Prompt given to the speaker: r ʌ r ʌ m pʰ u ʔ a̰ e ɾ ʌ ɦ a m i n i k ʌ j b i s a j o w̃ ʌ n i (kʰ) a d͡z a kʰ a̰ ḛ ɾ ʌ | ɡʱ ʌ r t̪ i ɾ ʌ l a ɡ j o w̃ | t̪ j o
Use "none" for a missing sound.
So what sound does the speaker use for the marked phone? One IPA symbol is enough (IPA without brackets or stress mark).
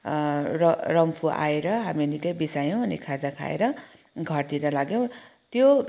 kʰ